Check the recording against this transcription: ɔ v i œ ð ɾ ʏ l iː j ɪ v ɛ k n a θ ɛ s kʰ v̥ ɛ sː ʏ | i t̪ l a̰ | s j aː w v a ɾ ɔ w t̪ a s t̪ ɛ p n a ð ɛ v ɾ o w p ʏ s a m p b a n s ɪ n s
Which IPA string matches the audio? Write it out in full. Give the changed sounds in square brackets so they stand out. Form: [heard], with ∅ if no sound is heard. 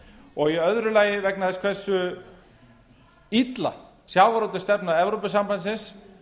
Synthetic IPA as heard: ɔ [ɣ] i œ ð ɾ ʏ l [aː] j ɪ v ɛ k n a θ ɛ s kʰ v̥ ɛ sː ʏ | i t̪ l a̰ | s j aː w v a ɾ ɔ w t̪ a s t̪ ɛ p n a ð ɛ v ɾ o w p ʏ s a m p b a n s ɪ n s